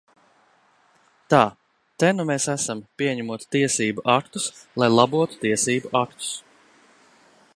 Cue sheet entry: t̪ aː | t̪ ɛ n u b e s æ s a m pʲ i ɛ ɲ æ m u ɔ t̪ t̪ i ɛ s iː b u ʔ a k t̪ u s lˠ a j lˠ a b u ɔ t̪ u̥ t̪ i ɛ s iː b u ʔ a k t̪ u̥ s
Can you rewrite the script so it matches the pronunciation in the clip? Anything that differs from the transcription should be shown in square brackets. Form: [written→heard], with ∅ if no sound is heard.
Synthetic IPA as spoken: t̪ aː | t̪ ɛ n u [b→m] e s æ s a m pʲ i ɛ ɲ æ m u ɔ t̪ t̪ i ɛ s iː b u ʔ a k t̪ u s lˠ a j lˠ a b u ɔ t̪ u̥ t̪ i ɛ s iː b u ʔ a k t̪ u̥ s

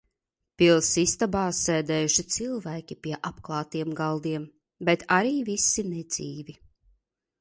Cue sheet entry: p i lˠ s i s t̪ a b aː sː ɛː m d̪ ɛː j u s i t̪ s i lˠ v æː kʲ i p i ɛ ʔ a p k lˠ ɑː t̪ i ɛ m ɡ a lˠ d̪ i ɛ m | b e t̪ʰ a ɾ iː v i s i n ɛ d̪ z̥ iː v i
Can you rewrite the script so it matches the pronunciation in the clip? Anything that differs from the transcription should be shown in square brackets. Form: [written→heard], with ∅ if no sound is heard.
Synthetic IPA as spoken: p i lˠ s i s t̪ a b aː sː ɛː [m→∅] d̪ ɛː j u [s→ʃ] i t̪ s i lˠ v æː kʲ i p i ɛ ʔ a p k lˠ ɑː t̪ i ɛ m ɡ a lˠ d̪ i ɛ m | b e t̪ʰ a ɾ iː v i s i n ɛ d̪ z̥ iː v i

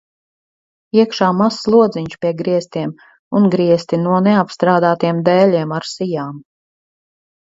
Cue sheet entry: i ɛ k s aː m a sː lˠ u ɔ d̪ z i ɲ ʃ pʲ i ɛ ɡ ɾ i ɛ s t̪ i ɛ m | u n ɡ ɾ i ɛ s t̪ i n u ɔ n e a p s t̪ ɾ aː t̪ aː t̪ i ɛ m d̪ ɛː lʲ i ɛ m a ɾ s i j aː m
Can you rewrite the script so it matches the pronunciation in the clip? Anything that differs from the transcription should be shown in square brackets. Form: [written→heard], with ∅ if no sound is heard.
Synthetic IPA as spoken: i ɛ k [s→ʃ] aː m a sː lˠ u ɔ d̪ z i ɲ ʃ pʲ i ɛ ɡ ɾ i ɛ s t̪ i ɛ m | u n ɡ ɾ i ɛ s t̪ i n u ɔ n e a p s t̪ ɾ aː [t̪→d̪] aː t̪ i ɛ m d̪ ɛː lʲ i ɛ m a ɾ s i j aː m

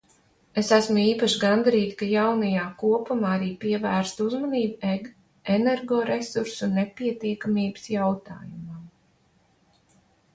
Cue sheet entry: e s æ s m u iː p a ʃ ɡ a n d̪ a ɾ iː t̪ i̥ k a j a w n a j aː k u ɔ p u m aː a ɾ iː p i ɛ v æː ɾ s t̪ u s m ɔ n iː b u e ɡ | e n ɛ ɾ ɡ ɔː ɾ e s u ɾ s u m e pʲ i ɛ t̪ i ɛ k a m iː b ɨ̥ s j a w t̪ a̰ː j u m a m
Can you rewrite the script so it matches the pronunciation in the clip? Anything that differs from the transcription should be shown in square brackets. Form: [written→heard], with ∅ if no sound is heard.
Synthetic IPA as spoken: e s æ s m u iː p a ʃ ɡ a n d̪ a ɾ iː t̪ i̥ k a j a w n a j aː k u ɔ p u m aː a ɾ iː p i ɛ v æː ɾ s t̪ u [s→z] m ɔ n iː b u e ɡ | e n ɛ ɾ ɡ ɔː ɾ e s u ɾ s u [m→n] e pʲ i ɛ t̪ i ɛ k a m iː b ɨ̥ s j a w t̪ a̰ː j u m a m

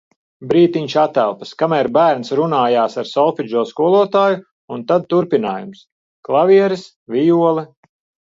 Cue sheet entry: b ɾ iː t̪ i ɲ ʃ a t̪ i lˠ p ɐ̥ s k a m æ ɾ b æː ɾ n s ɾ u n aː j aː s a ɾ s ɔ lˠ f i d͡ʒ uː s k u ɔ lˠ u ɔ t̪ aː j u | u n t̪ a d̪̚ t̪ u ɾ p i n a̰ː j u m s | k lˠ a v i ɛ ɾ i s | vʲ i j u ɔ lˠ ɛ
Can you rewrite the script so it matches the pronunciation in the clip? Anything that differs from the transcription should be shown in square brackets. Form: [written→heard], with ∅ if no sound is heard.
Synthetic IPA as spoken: b ɾ iː t̪ i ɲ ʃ a t̪ [i→æ] lˠ p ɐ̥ s k a m æ ɾ b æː ɾ n s ɾ u n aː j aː s a ɾ s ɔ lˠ f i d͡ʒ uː s k u ɔ lˠ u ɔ t̪ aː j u | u n t̪ a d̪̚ t̪ u ɾ p i n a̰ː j u m s | k lˠ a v i ɛ ɾ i s | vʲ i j u ɔ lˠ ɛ

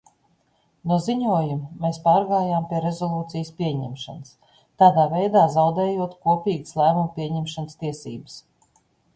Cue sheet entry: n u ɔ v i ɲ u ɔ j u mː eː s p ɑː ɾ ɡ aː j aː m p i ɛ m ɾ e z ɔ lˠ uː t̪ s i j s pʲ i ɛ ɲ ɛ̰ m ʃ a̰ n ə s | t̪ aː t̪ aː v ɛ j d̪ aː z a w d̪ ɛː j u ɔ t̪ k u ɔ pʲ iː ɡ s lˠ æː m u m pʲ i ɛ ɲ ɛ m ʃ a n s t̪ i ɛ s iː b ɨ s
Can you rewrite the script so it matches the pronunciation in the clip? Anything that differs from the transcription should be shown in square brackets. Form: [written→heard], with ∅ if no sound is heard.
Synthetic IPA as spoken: n u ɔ [v→z] i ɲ u ɔ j u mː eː s p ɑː ɾ ɡ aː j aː m p i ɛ [m→∅] ɾ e z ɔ lˠ uː t̪ s i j s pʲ i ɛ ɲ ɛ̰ m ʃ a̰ n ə s | t̪ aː [t̪→d̪] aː v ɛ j d̪ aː z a w d̪ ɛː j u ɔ t̪ k u ɔ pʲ iː ɡ s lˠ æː m u m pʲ i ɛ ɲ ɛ m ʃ a n s t̪ i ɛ s iː b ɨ s

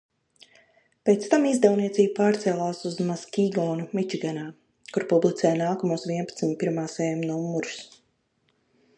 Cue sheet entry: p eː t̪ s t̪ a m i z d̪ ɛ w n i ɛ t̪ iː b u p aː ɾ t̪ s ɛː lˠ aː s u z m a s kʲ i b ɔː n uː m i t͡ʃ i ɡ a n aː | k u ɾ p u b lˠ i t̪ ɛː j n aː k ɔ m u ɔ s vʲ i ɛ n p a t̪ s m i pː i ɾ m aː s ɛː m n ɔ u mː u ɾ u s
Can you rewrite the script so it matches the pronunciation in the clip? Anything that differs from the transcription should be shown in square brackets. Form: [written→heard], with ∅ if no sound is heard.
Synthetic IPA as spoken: p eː t̪ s t̪ a m i z d̪ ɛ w n i ɛ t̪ iː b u p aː ɾ t̪ s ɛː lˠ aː s u z m a s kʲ i [b→ɡ] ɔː n [uː→u] m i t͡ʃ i ɡ a n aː | k u ɾ p u b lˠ i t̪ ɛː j n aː k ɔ m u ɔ s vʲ i ɛ n p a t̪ s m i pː i ɾ m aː s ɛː m n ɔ u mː u ɾ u s

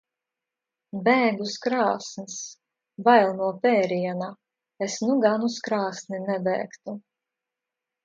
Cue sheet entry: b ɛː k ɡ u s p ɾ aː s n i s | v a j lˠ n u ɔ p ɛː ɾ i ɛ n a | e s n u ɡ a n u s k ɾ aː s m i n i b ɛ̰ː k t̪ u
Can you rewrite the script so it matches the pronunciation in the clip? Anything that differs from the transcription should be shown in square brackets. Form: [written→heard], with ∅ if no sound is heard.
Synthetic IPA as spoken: b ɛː [k→∅] ɡ u s [p→k] ɾ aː s n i s | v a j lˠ n u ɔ p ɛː ɾ i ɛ n a | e s n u ɡ a n u s k ɾ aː s [m→n] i n [i→ɛ] b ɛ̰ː k t̪ u

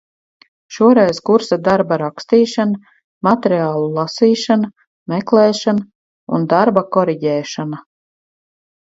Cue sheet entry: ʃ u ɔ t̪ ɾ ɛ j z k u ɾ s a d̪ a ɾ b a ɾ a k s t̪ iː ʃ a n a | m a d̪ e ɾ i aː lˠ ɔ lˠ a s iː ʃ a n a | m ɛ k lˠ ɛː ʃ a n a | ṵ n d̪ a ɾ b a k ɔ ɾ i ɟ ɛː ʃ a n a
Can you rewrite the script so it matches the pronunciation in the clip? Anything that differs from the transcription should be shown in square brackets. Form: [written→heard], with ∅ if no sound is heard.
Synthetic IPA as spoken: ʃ u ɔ [t̪→∅] ɾ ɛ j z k u ɾ s a d̪ a ɾ b a ɾ a k s t̪ iː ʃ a n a | m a [d̪→t̪] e ɾ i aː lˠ [ɔ→u] lˠ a s iː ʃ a n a | m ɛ k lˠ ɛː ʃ a n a | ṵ n d̪ a ɾ b a k ɔ ɾ i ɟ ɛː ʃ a n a

